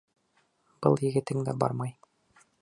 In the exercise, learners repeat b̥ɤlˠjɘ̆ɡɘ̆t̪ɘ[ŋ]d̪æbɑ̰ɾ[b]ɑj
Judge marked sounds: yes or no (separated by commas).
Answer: yes, no